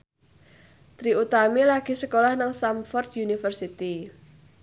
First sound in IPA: t̪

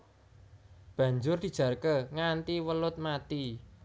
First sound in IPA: b̥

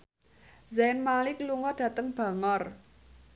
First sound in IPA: z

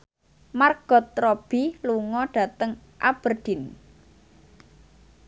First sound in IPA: m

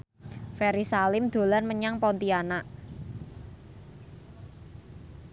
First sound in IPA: f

